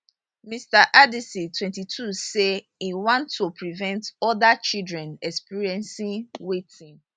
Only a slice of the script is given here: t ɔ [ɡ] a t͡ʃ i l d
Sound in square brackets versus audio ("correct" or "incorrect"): incorrect